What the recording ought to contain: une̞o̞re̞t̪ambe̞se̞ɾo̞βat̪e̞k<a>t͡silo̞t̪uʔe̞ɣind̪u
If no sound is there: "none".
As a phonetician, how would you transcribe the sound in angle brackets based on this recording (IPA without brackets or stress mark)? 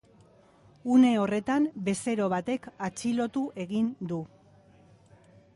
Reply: a